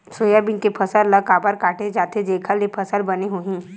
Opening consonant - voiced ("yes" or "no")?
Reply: no